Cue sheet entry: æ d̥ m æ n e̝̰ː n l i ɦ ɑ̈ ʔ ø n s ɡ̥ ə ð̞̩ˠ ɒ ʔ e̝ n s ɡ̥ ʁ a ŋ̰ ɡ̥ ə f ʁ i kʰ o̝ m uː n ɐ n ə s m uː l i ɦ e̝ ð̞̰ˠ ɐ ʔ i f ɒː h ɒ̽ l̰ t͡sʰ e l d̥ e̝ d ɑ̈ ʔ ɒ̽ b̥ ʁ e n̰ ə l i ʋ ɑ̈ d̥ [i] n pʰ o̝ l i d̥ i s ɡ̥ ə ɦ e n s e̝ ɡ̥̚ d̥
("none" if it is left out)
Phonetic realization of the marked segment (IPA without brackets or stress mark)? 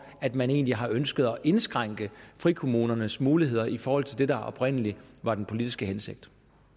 e